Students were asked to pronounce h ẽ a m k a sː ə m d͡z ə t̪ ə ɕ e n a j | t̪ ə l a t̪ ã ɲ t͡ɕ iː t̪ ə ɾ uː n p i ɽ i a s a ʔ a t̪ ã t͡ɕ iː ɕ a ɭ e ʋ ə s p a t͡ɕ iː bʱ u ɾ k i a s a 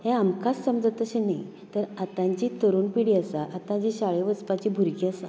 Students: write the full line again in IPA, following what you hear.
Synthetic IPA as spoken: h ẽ a m k a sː ə m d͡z ə t̪ ə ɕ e n a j | t̪ ə ɾ a t̪ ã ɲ t͡ɕ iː t̪ ə ɾ uː n p i ɽ i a s a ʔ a t̪ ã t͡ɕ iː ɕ a ɭ e ʋ ə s p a t͡ɕ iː bʱ u ɾ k i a s a